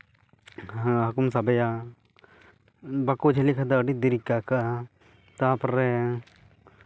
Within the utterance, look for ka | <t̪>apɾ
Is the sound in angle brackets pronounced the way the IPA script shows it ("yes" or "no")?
yes